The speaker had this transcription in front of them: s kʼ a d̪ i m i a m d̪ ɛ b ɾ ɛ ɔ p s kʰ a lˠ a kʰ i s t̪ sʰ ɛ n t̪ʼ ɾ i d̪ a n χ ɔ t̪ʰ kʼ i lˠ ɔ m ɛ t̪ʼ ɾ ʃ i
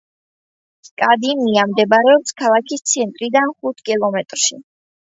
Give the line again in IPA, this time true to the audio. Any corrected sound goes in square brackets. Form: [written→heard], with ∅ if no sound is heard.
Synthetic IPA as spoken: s kʼ a d̪ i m i a m d̪ ɛ b ɾ ɛ ɔ p s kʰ a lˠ a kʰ i s t̪ sʰ ɛ n t̪ʼ ɾ i d̪ a n χ [ɔ→u] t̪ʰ kʼ i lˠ ɔ m ɛ t̪ʼ ɾ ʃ i